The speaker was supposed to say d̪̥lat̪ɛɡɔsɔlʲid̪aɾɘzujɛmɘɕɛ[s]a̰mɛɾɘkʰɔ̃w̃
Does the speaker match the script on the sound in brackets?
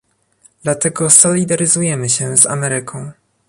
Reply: no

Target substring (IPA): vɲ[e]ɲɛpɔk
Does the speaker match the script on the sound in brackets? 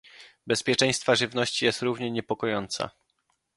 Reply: no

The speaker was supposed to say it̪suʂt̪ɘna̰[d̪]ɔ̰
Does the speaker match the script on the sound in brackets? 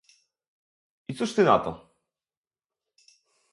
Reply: no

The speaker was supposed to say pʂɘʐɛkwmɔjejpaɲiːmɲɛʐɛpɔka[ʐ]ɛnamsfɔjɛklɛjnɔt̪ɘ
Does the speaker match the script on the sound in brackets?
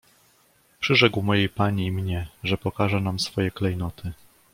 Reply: yes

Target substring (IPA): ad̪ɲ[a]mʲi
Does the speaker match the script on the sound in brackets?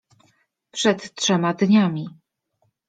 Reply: yes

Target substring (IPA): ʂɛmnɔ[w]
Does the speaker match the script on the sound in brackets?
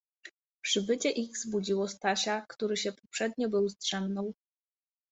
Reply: yes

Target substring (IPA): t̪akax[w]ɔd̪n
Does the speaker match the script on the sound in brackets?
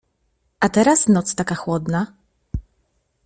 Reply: yes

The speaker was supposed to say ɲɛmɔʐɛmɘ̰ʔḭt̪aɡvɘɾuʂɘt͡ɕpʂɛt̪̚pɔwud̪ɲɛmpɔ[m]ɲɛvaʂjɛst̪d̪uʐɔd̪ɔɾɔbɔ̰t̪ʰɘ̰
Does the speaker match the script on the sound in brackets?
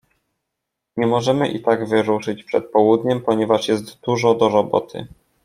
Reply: no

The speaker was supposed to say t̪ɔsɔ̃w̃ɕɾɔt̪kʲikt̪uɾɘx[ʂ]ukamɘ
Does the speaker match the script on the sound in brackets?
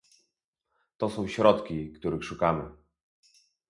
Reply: yes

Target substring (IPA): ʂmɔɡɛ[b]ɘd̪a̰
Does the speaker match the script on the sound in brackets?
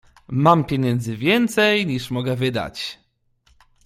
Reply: no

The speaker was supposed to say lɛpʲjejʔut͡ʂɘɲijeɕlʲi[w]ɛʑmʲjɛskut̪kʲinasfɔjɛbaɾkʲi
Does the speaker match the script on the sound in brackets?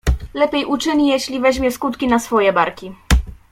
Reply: no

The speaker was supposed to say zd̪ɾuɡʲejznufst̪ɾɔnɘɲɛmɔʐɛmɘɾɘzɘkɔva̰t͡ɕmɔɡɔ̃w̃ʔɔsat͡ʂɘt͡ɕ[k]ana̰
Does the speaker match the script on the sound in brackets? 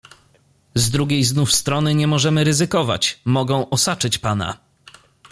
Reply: no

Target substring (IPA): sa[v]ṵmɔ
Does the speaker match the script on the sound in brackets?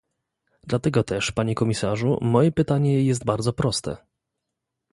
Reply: no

